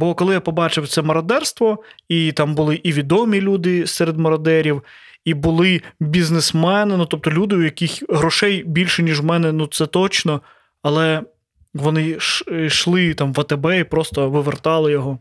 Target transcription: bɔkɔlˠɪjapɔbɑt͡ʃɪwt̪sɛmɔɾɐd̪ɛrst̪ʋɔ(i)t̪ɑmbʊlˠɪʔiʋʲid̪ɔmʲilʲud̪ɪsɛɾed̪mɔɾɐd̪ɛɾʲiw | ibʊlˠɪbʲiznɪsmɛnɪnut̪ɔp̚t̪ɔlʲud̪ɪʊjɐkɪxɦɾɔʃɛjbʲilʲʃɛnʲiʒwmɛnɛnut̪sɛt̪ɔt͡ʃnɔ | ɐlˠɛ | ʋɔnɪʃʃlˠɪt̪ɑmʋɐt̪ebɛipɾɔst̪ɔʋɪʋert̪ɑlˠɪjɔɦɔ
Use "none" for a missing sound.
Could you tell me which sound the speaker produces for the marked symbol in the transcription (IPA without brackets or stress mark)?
i